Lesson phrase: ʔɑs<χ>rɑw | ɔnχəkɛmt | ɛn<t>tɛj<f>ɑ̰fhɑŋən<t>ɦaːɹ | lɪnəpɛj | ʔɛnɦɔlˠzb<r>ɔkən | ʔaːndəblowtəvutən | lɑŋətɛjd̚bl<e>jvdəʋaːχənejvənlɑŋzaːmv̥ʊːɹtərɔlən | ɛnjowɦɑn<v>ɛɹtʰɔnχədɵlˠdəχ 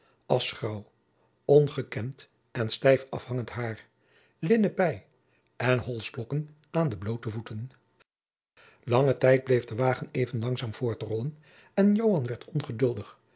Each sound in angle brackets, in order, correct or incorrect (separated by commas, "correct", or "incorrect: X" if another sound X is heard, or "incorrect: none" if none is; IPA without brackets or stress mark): correct, incorrect: s, correct, correct, incorrect: l, correct, incorrect: ʋ